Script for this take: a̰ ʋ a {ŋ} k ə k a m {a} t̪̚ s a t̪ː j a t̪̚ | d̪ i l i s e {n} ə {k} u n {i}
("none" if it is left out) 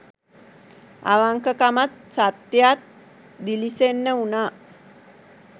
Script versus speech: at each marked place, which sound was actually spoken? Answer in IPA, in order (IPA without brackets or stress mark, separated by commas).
ŋ, a, nː, none, a